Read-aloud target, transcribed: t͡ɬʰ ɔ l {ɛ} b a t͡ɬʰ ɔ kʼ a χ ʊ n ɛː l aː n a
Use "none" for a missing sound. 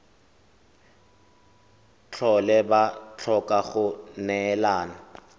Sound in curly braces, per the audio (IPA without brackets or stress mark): ɛ